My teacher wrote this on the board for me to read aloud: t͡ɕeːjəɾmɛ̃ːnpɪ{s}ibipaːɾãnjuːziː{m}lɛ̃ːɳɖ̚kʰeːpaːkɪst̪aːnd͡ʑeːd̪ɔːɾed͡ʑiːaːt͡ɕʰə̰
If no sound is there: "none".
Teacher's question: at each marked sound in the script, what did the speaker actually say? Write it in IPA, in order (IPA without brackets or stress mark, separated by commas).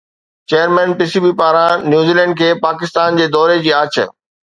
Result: s, none